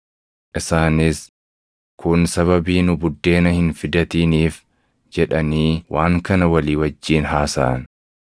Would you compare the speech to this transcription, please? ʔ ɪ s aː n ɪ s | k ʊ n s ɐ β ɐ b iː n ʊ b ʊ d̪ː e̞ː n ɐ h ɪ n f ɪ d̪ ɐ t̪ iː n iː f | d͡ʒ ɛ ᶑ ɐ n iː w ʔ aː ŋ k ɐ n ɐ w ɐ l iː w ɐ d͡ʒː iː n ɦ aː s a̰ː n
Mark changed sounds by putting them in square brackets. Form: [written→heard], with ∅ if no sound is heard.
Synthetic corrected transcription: ʔ ɪ s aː n ɪ s | k ʊ n s ɐ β ɐ b iː n ʊ b ʊ d̪ː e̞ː n ɐ h ɪ n f ɪ d̪ ɐ t̪ iː n iː f | d͡ʒ ɛ ᶑ ɐ n iː w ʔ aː ŋ k ɐ n ɐ w ɐ l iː w ɐ d͡ʒː iː n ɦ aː s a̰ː n